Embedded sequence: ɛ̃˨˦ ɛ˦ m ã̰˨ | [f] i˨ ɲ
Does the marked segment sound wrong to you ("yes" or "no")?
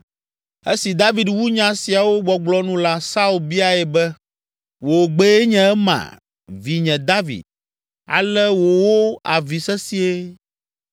yes